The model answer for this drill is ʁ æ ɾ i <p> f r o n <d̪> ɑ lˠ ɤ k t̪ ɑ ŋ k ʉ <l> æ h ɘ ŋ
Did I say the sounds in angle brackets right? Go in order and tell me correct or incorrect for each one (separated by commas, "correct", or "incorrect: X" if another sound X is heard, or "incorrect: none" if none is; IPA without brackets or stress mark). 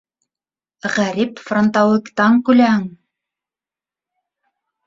correct, incorrect: t̪, correct